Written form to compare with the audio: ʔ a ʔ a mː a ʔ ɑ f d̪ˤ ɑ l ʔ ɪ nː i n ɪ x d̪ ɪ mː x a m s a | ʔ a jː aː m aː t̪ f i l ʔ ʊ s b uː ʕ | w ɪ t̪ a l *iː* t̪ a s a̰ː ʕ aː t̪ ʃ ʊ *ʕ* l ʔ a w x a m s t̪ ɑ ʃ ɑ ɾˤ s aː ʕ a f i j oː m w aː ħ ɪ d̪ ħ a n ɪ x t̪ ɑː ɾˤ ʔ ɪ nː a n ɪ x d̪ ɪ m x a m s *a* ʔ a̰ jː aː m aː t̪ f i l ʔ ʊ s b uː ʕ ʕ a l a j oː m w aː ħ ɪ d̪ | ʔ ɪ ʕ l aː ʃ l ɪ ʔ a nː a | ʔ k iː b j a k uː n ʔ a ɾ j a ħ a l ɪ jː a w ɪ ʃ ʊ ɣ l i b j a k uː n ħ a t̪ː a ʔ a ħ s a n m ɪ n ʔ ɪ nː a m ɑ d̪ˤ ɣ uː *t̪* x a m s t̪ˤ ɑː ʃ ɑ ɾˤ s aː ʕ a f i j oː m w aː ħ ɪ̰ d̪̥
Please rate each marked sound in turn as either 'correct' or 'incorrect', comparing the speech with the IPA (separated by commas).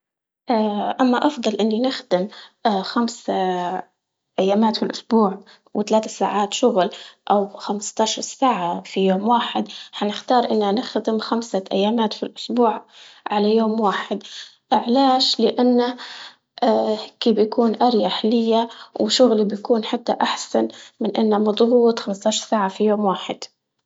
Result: incorrect, incorrect, correct, correct